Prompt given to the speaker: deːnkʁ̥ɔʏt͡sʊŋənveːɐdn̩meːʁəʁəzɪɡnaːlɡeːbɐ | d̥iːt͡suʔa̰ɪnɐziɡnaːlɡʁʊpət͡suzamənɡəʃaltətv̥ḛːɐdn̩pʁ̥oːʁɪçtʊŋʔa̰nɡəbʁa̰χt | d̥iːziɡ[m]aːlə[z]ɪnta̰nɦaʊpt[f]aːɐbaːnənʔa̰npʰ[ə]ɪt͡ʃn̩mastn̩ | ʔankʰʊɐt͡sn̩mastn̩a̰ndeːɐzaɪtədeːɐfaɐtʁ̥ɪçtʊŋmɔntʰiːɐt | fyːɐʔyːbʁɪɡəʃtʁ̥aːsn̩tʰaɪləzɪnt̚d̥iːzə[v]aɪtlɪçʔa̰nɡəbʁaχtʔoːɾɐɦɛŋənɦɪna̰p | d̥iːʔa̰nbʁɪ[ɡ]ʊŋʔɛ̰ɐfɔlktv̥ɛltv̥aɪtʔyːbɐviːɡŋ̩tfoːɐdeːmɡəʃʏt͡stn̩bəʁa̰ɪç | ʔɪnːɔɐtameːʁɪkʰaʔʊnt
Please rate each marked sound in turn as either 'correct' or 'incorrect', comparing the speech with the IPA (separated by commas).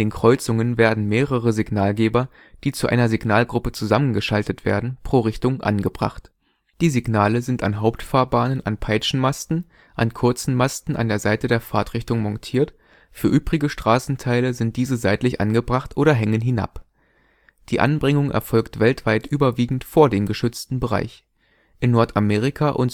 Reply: incorrect, correct, correct, incorrect, incorrect, incorrect